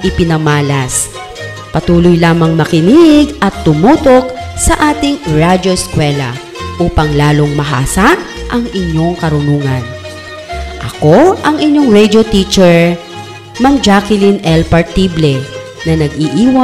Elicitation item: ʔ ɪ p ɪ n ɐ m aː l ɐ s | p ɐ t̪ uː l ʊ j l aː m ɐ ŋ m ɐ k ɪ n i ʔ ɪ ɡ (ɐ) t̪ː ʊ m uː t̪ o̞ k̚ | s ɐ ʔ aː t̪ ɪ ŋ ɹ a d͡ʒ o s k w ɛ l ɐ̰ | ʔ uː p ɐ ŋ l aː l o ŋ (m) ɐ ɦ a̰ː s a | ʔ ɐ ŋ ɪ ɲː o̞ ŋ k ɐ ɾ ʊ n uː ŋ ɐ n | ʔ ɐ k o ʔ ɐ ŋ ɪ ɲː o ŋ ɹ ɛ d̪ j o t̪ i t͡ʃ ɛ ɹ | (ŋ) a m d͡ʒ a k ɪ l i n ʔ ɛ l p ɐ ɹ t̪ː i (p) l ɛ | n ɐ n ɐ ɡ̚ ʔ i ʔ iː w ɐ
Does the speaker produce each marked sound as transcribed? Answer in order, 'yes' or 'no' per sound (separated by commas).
yes, yes, no, no